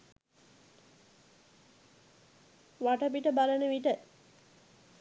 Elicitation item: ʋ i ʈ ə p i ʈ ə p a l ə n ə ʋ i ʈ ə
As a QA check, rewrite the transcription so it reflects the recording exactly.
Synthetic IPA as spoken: ʋ a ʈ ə p i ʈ ə b a l ə n ə ʋ i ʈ ə